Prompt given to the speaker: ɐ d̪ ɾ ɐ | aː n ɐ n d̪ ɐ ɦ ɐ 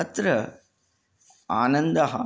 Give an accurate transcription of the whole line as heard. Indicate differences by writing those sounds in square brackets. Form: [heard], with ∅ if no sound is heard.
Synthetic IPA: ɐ [t̪] ɾ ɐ | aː n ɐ n d̪ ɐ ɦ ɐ